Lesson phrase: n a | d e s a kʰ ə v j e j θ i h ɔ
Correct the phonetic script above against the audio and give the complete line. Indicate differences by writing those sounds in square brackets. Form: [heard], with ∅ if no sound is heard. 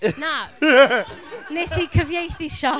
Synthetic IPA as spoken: n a | [n] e s [i] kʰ ə v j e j θ i [ʃ] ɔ